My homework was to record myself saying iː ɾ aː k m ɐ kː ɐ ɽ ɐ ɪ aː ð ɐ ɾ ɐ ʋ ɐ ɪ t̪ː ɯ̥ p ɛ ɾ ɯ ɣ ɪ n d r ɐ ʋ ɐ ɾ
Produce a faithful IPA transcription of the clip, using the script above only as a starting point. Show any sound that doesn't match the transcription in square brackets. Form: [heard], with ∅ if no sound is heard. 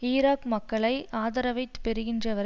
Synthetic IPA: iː ɾ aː k m ɐ kː ɐ [ɭ] ɐ ɪ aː ð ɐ ɾ ɐ ʋ ɐ ɪ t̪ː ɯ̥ p ɛ ɾ ɯ ɣ ɪ n d r ɐ ʋ ɐ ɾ